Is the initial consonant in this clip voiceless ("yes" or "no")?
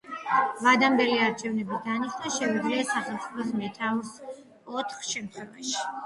no